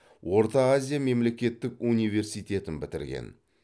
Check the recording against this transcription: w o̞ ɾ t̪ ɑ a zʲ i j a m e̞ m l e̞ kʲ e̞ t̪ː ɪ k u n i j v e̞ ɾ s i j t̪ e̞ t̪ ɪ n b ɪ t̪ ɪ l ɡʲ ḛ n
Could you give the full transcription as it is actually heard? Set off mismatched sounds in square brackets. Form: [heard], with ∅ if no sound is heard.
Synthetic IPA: w o̞ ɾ t̪ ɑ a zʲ i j a m e̞ m l e̞ kʲ e̞ t̪ː ɪ k u n i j v e̞ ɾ s i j t̪ e̞ t̪ ɪ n b ɪ t̪ ɪ [ɾ] ɡʲ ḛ n